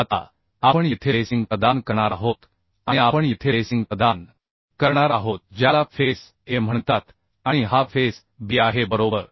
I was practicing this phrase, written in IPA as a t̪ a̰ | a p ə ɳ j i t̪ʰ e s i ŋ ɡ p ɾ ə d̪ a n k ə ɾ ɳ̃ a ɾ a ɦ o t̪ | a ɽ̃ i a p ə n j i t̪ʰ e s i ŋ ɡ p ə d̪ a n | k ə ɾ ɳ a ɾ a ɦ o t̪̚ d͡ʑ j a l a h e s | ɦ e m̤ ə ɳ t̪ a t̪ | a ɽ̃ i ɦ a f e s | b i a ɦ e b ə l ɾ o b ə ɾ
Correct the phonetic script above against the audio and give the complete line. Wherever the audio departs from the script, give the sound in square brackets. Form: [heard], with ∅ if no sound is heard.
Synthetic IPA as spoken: a t̪ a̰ | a p ə ɳ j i t̪ʰ e s i ŋ ɡ p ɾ ə d̪ a n k ə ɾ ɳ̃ a ɾ a ɦ o t̪ | a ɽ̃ i a p ə [ɳ] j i t̪ʰ e s i ŋ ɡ p ə d̪ a n | k ə ɾ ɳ a ɾ a ɦ o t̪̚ d͡ʑ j a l a [f] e s | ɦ e m̤ ə ɳ t̪ a t̪ | a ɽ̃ i ɦ a f e s | b i a ɦ e b ə [∅] ɾ o b ə ɾ